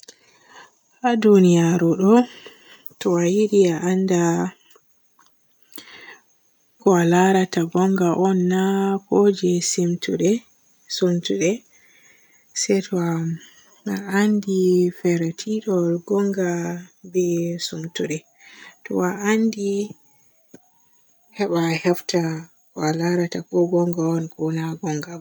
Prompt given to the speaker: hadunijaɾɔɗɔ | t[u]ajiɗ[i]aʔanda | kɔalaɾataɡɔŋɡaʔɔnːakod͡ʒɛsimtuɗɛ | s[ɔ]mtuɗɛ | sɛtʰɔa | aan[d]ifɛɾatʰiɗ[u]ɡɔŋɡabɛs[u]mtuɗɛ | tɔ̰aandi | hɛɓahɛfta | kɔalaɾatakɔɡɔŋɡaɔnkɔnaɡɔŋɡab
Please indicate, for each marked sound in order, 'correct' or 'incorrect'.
incorrect, correct, incorrect, correct, incorrect, correct

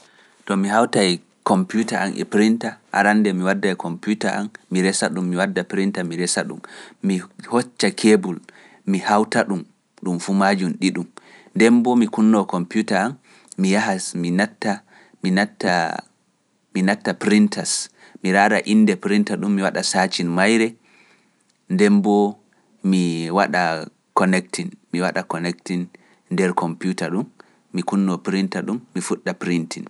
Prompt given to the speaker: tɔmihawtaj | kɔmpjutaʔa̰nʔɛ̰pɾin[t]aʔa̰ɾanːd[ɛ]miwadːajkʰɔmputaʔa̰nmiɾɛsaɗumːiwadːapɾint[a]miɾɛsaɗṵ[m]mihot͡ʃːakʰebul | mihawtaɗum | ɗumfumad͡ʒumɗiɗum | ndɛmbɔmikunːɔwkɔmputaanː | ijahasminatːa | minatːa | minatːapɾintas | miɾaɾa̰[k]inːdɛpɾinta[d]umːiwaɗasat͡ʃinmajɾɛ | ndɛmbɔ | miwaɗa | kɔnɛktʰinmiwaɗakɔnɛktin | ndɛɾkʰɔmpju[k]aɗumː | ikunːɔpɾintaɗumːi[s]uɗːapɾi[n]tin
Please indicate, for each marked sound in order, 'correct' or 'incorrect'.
correct, correct, correct, correct, incorrect, incorrect, incorrect, incorrect, correct

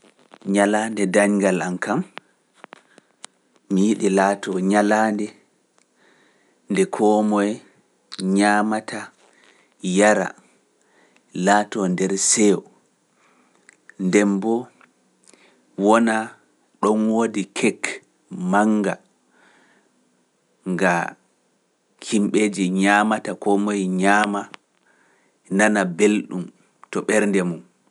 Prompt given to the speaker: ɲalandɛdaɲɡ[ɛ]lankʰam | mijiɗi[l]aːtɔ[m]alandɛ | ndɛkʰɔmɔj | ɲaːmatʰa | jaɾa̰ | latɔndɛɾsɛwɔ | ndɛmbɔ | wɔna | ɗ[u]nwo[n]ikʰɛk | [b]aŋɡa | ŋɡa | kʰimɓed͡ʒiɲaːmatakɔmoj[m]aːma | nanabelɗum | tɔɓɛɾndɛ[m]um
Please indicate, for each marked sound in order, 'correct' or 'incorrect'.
incorrect, correct, incorrect, incorrect, incorrect, incorrect, incorrect, correct

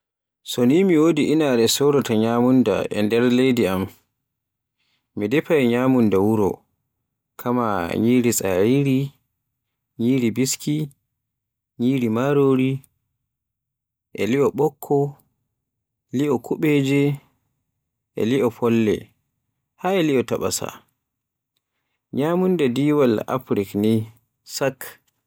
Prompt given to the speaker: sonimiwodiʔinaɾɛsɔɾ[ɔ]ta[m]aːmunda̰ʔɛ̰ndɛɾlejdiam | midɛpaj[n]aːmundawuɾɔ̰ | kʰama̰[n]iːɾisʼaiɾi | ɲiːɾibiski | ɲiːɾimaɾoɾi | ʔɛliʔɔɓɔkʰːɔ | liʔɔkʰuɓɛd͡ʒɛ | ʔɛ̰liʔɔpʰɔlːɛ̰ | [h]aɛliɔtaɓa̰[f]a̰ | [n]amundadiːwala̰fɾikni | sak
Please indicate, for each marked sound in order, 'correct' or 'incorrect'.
correct, incorrect, incorrect, incorrect, correct, incorrect, incorrect

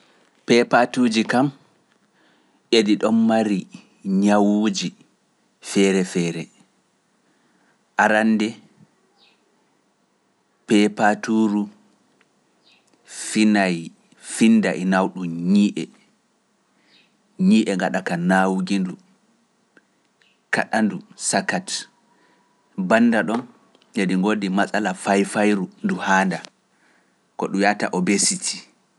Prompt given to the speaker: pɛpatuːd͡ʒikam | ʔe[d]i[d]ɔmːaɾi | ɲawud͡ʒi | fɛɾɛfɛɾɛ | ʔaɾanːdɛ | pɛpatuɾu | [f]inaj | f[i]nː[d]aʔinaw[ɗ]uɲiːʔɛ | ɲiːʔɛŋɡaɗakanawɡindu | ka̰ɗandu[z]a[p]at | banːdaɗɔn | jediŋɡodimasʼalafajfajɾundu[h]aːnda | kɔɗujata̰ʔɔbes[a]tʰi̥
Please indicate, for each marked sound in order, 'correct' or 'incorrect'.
correct, incorrect, correct, correct, correct, correct, incorrect, incorrect, correct, incorrect

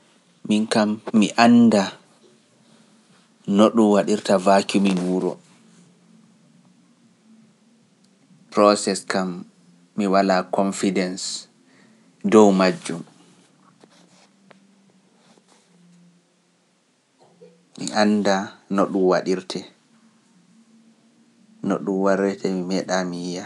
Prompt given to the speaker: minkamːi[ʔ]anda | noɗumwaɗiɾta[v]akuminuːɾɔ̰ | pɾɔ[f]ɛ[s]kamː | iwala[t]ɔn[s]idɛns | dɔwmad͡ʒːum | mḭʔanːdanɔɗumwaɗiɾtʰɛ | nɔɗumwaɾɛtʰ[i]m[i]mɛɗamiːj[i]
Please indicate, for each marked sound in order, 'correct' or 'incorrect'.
correct, correct, incorrect, correct, incorrect, incorrect, incorrect, correct, incorrect

